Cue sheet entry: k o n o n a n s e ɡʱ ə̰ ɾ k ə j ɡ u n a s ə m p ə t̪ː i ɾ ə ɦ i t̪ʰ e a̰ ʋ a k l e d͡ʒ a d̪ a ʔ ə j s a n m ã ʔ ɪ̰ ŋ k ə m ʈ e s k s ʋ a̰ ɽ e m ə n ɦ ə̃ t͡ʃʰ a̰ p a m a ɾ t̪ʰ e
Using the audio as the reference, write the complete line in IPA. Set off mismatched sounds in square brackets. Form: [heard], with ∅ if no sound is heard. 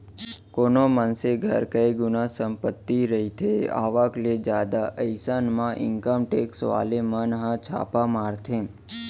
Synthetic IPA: k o n o [m] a n s e ɡʱ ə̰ ɾ k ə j ɡ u n a s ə m p ə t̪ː i ɾ ə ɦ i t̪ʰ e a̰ ʋ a k l e d͡ʒ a d̪ a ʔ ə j s a n m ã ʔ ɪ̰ ŋ k ə m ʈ e [∅] k s ʋ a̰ [l] e m ə n ɦ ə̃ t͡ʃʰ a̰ p a m a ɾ t̪ʰ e